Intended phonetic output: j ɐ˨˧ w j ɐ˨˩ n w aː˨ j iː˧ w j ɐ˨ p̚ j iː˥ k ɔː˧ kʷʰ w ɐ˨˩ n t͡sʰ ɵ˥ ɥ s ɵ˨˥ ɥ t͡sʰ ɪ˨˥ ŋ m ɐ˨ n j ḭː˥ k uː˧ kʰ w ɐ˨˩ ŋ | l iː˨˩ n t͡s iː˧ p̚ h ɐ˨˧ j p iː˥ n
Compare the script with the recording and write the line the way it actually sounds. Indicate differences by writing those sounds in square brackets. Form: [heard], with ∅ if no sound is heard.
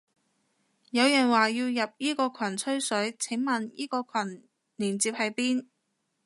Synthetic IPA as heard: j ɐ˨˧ w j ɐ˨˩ n w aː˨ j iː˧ w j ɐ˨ p̚ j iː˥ k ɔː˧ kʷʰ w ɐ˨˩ n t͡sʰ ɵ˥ ɥ s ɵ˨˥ ɥ t͡sʰ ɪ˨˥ ŋ m ɐ˨ n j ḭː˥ k [ɔː˧] kʰ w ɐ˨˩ [n] | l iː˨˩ n t͡s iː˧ p̚ h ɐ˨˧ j p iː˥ n